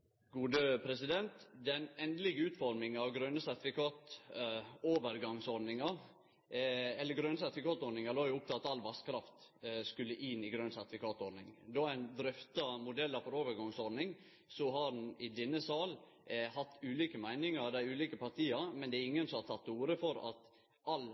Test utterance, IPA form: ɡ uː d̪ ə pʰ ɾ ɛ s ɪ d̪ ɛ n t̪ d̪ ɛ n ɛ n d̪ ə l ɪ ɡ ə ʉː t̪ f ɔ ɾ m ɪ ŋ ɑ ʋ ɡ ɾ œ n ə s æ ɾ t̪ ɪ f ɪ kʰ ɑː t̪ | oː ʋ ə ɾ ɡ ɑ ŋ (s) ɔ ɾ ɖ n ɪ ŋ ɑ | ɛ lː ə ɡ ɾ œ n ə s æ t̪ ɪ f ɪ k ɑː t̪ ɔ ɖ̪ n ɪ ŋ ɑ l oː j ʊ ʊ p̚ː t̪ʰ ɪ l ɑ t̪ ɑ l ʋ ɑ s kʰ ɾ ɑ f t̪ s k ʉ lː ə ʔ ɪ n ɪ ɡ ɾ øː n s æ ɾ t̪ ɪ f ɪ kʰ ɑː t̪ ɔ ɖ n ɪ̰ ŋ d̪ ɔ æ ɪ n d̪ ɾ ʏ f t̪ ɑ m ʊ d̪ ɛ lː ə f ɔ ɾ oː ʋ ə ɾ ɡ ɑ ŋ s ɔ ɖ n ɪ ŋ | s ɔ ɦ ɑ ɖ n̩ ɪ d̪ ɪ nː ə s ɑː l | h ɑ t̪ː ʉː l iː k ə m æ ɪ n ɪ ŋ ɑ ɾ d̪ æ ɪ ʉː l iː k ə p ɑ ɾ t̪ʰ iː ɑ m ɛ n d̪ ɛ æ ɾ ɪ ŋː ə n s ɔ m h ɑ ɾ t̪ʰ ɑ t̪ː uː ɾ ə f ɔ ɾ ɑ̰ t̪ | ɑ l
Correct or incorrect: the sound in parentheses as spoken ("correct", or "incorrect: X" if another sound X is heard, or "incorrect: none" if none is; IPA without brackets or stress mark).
correct